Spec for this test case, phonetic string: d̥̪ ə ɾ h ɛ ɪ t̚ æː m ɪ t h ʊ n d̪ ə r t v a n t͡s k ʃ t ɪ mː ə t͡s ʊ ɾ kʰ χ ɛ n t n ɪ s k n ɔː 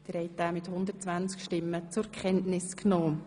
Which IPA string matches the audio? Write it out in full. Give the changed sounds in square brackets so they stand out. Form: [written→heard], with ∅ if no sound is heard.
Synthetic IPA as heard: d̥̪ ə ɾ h ɛ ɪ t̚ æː m ɪ t h ʊ n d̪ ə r [t→t͡s] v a n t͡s k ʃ t ɪ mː ə t͡s ʊ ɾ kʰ χ ɛ n t n ɪ s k n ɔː